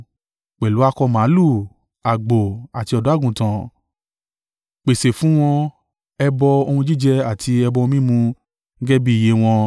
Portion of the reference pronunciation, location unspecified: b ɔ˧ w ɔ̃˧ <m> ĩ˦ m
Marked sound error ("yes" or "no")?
no